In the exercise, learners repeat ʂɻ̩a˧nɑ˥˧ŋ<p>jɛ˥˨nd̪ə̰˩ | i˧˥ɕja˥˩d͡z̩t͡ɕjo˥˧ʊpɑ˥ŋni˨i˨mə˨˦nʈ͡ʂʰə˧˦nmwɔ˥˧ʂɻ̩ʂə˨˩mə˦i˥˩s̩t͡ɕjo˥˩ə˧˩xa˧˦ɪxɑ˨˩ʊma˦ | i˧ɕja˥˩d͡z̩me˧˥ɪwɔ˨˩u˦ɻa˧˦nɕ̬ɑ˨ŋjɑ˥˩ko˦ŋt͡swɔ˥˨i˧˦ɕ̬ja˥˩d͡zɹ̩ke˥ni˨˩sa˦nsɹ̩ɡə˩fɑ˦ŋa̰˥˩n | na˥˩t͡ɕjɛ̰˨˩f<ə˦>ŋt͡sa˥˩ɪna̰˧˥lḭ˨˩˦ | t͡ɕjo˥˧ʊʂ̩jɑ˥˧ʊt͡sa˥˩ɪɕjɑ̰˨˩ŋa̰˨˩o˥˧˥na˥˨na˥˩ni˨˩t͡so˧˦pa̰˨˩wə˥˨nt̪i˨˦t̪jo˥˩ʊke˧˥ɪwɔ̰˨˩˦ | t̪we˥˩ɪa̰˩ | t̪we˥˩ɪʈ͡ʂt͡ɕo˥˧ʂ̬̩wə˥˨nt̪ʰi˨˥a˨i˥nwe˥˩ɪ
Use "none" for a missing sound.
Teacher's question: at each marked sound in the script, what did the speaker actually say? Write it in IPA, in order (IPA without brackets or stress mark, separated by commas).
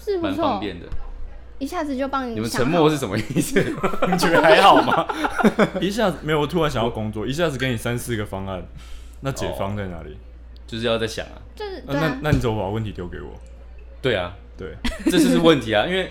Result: p, ɑ˦